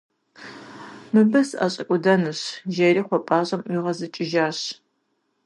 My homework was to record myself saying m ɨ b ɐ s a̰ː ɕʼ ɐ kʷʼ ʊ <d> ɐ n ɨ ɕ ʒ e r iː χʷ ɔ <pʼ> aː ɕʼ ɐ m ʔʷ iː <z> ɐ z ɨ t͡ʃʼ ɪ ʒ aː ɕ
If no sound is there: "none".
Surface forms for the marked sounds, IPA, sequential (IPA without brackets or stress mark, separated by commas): d, pʼ, ʁ